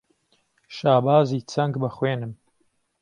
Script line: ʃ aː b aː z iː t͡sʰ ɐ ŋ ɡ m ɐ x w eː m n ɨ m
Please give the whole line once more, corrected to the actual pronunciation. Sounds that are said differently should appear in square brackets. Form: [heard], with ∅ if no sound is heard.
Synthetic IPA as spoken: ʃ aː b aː z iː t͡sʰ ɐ ŋ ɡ [b] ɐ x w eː [∅] n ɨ m